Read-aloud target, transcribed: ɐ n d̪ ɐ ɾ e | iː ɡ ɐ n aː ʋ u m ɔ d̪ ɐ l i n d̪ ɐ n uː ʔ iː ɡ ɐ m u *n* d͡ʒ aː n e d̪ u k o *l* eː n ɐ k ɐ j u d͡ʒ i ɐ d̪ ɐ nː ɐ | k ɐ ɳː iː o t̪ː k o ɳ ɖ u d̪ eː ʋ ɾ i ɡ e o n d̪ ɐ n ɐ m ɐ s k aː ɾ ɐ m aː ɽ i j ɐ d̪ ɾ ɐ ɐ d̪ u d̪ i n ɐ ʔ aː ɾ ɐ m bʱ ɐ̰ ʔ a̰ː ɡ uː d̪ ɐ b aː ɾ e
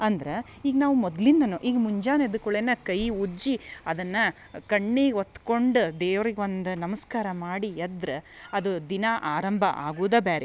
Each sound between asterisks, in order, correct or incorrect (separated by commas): incorrect, incorrect